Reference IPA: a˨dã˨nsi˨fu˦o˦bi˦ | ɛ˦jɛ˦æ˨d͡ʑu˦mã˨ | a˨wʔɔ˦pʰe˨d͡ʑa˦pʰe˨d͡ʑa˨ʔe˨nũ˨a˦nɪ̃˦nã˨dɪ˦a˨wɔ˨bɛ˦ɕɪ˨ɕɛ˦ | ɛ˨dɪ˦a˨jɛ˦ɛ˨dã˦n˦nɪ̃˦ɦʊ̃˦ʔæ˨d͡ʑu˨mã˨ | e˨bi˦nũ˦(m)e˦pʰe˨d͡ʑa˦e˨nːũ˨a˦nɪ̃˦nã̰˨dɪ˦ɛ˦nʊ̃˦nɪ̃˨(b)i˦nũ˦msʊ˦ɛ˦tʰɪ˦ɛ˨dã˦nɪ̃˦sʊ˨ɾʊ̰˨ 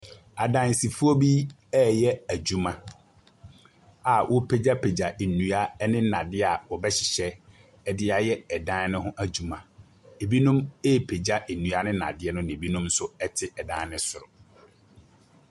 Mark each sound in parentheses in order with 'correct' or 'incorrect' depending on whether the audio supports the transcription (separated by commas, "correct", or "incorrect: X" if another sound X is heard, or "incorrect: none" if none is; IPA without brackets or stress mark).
correct, correct